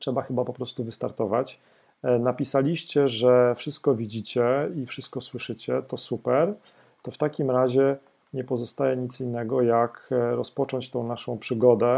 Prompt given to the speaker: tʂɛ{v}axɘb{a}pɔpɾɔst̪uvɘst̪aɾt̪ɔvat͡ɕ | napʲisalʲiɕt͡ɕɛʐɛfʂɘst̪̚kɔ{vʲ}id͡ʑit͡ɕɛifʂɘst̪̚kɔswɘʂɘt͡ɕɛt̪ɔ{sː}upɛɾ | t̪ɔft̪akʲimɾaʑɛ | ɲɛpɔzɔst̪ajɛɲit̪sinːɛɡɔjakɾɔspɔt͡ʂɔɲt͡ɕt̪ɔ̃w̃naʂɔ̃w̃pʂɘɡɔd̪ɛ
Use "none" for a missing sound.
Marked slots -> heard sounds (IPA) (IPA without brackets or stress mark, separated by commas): b, a, vʲ, s